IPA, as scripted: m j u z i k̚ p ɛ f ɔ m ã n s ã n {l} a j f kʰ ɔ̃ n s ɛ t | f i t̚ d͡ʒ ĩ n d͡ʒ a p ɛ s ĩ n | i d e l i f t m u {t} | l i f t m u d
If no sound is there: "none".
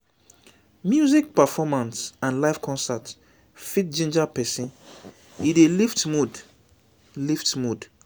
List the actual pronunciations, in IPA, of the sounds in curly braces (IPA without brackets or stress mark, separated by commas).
l, d